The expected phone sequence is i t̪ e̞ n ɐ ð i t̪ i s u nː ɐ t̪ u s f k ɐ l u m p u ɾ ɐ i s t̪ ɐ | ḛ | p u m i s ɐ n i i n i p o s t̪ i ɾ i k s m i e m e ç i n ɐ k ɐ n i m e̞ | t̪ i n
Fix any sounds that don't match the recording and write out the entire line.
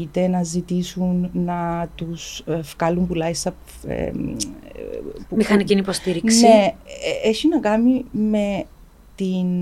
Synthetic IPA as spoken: i t̪ e̞ n ɐ z i t̪ i s u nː ɐ t̪ u s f k ɐ l u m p u l ɐ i s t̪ ɐ | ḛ | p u m i x ɐ n i i n i p o s t̪ i ɾ i k s n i e e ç i n ɐ k ɐ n i m e̞ | t̪ i n